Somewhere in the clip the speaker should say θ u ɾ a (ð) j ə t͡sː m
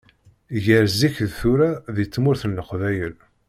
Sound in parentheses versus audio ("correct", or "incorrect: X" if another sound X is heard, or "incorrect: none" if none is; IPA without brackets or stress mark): correct